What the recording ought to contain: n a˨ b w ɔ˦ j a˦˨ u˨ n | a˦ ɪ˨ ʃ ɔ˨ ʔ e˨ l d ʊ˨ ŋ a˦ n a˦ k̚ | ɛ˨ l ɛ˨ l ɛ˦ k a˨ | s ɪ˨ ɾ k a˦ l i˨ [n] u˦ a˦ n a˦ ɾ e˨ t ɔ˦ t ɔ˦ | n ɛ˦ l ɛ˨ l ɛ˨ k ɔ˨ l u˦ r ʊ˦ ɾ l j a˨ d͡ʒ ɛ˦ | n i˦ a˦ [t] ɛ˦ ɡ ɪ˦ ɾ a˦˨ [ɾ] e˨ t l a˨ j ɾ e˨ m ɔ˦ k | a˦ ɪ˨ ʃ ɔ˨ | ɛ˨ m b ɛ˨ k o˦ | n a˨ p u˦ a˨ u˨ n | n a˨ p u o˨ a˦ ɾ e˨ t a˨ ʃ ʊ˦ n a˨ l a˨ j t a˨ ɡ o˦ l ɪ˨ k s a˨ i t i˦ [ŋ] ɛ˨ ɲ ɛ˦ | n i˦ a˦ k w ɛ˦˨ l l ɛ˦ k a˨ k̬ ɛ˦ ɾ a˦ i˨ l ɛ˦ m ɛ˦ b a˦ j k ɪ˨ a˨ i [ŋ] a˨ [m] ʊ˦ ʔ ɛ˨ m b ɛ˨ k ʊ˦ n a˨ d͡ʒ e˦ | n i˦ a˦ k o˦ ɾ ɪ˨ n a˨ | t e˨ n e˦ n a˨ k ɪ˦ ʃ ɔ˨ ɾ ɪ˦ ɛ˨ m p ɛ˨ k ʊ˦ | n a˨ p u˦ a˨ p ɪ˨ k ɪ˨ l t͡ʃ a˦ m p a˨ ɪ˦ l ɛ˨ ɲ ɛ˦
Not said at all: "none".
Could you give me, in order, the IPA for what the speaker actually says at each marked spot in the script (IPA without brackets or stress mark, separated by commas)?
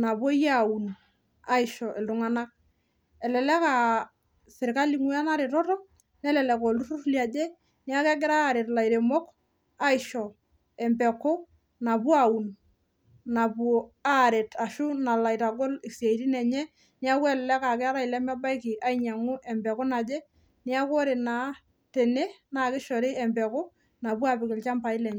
ŋ, k, ɾ, n, ɲ, ŋ